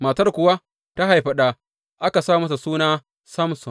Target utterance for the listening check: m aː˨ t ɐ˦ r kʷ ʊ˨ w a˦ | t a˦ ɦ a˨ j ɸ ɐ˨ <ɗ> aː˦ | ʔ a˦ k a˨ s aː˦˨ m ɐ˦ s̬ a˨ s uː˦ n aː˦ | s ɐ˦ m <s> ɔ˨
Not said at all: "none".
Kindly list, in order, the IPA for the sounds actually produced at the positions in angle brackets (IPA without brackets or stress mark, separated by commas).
ɗ, s